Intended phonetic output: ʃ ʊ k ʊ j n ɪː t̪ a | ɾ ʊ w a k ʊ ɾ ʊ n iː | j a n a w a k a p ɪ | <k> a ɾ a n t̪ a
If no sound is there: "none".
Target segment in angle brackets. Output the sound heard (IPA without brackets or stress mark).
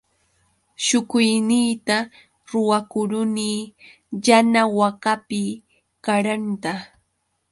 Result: k